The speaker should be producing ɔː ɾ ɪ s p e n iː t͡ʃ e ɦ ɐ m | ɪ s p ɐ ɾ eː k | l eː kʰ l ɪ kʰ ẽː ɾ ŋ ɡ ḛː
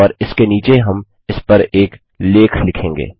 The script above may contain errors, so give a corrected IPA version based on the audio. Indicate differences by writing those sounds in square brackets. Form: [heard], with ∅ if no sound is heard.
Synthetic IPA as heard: ɔː ɾ ɪ s [k] e n iː t͡ʃ e ɦ ɐ m | ɪ s p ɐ ɾ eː k | l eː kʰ l ɪ kʰ ẽː [∅] ŋ ɡ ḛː